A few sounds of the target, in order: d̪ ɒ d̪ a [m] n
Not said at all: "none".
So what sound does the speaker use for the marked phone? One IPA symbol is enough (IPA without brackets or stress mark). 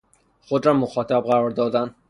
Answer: none